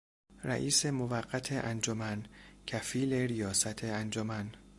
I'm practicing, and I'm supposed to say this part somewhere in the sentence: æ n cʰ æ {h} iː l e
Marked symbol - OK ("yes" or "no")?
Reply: no